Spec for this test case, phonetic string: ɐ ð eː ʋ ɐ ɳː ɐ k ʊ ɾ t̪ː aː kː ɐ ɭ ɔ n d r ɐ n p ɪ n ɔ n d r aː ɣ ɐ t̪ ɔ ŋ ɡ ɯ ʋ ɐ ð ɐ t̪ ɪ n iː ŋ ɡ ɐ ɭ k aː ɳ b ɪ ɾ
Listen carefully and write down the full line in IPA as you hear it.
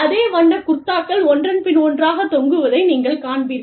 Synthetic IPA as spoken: ɐ ð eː ʋ ɐ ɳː ɐ k ʊ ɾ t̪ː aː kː ɐ ɭ ɔ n d r ɐ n p ɪ n ɔ n d r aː ɣ ɐ t̪ ɔ ŋ ɡ ɯ ʋ ɐ ð ɐ ɪ n iː ŋ ɡ ɐ ɭ k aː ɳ b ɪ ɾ